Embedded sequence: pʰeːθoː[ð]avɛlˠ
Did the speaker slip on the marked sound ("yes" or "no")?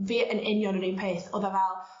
no